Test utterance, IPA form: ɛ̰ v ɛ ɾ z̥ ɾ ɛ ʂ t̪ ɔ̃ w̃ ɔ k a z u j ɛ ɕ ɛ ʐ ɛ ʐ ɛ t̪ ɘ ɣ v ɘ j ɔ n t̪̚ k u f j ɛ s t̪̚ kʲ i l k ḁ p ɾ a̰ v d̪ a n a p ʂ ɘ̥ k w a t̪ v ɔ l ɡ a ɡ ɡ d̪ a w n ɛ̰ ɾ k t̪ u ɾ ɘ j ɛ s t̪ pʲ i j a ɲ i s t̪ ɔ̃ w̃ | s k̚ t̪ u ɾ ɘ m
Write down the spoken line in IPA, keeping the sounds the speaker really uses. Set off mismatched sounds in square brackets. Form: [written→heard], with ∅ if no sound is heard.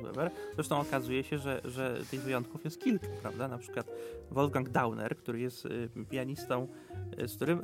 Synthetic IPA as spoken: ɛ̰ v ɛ ɾ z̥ ɾ ɛ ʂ t̪ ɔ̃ w̃ ɔ k a z u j ɛ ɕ ɛ ʐ ɛ ʐ ɛ t̪ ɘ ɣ v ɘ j ɔ n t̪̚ k u f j ɛ s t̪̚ kʲ i l k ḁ p ɾ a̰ v d̪ a n a p ʂ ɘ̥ k w a t̪ v ɔ l ɡ a [ɡ→ŋ] ɡ d̪ a w n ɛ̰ ɾ k t̪ u ɾ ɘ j ɛ s t̪ pʲ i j a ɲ i s t̪ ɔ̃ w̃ | s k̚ t̪ u ɾ ɘ m